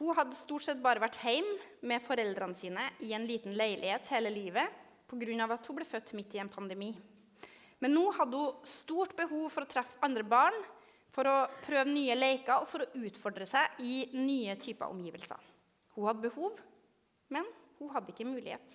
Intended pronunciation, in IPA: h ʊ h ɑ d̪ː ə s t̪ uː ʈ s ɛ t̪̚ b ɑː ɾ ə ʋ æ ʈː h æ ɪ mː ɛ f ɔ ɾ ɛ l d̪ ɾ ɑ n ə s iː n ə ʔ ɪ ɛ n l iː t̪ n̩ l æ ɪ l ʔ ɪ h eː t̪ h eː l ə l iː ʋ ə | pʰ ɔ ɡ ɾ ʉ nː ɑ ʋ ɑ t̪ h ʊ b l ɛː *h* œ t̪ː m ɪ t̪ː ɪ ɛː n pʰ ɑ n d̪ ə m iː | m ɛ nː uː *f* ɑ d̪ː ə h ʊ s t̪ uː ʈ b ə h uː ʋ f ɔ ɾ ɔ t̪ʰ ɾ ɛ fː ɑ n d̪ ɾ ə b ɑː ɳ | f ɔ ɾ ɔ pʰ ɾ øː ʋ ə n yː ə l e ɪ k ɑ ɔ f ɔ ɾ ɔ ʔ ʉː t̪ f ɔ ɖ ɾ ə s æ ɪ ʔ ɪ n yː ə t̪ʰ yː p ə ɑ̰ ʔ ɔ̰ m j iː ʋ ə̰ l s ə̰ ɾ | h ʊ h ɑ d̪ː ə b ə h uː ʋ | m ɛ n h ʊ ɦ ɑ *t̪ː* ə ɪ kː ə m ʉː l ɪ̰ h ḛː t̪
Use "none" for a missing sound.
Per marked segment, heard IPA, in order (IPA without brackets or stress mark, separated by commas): f, h, d̪ː